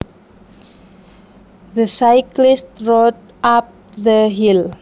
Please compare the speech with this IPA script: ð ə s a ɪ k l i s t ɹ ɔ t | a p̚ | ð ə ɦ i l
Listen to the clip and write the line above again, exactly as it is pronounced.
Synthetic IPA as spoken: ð ə s a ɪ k l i s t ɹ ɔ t | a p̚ | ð ə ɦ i l